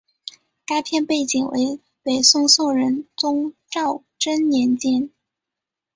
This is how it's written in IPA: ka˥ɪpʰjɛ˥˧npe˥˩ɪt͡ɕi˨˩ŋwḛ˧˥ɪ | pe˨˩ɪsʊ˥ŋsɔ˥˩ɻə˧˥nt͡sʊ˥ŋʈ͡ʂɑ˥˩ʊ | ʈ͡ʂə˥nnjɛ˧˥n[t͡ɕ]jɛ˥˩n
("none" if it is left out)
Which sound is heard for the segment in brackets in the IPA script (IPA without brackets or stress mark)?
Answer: t͡ɕ